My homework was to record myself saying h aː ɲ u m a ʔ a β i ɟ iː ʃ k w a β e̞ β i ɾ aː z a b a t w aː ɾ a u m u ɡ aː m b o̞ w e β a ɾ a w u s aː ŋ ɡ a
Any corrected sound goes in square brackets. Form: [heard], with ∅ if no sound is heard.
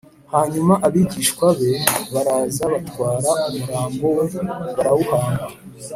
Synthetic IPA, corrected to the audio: h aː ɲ u m a ʔ a β i ɟ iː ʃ k w a β e̞ β [a] ɾ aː z a [β] a t w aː ɾ a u m u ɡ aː m b o̞ w e β a ɾ a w u [h] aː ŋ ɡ a